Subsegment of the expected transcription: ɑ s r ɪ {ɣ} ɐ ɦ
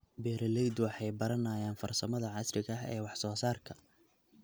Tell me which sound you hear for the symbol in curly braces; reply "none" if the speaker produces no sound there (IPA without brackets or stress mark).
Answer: ɣ